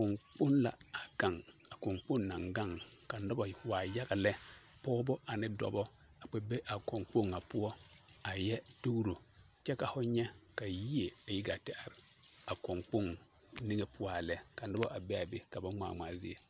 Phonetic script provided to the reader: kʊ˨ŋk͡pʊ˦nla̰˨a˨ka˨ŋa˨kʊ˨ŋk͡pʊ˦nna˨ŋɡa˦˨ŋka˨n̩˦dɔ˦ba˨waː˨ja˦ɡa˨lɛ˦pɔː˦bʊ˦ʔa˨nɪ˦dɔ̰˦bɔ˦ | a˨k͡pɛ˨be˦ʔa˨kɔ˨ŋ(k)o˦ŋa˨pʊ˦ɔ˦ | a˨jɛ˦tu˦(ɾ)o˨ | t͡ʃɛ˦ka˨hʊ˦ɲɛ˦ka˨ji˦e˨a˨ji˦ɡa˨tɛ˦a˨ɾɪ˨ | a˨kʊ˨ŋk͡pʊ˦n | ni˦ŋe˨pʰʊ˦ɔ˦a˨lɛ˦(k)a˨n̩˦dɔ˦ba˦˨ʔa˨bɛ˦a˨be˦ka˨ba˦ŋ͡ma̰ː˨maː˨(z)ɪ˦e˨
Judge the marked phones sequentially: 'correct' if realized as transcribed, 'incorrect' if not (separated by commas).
incorrect, correct, correct, correct